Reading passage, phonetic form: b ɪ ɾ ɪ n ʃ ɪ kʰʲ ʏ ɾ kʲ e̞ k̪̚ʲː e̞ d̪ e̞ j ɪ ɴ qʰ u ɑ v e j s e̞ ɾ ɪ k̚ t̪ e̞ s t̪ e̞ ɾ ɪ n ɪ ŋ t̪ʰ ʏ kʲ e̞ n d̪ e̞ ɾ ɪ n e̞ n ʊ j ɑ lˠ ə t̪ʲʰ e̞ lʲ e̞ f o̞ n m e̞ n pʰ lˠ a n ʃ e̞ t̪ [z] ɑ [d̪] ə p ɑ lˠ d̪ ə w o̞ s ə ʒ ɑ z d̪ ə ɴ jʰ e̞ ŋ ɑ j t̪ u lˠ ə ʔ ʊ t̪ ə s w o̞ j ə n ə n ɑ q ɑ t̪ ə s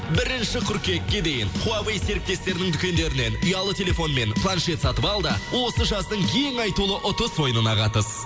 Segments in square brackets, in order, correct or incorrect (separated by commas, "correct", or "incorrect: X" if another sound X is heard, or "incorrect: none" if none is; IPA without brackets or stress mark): incorrect: s, incorrect: t̪